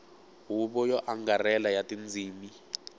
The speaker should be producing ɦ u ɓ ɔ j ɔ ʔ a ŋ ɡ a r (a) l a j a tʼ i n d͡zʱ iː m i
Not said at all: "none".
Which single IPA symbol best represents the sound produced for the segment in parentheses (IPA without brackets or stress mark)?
ɛ